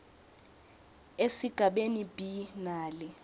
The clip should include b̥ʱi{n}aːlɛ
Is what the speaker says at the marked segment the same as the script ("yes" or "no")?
yes